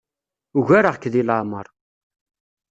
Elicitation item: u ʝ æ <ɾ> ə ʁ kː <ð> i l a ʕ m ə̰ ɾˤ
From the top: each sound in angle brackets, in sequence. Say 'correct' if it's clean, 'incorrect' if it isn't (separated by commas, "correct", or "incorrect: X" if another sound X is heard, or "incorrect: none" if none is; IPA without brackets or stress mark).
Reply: correct, correct